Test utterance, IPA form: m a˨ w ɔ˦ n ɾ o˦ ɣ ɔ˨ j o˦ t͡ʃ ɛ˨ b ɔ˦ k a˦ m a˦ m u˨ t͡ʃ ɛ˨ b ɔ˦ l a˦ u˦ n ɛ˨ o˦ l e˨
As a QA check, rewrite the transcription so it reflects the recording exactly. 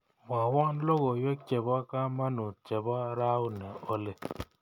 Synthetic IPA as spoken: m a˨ w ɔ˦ n l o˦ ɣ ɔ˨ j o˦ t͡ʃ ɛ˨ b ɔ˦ k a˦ m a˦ n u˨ t͡ʃ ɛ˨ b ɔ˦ ɾ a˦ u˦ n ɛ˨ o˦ l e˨